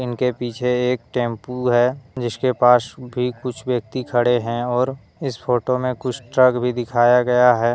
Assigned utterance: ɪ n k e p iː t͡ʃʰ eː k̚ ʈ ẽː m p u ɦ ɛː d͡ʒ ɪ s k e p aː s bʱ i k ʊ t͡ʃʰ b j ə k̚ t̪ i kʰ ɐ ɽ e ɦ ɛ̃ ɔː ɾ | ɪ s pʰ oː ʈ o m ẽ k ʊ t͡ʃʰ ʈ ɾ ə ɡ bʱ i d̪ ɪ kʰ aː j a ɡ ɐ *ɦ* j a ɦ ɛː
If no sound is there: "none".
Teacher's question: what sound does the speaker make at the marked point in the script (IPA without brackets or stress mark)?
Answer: none